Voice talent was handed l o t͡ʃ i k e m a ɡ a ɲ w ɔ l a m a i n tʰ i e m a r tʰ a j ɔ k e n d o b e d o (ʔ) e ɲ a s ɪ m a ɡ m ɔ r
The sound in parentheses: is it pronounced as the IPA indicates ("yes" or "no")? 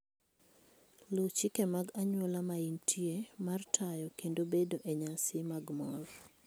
yes